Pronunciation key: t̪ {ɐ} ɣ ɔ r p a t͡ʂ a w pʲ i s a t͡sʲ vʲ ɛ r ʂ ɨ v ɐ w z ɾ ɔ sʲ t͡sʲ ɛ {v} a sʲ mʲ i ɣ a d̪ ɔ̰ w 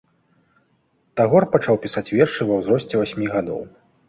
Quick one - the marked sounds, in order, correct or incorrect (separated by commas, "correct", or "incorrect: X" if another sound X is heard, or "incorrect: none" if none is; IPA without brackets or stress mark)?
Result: incorrect: a, correct